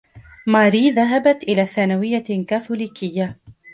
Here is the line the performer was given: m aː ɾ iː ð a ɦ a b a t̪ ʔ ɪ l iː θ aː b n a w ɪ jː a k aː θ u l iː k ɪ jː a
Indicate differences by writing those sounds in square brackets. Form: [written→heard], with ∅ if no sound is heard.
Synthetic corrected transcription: m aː ɾ iː ð a ɦ a b a t̪ ʔ ɪ l [iː→aː] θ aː [b→∅] n a w ɪ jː a k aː θ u l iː k ɪ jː a